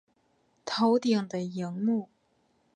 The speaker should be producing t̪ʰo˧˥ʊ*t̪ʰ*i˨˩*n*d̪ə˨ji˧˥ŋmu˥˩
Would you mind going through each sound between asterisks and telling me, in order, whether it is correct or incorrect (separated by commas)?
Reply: incorrect, incorrect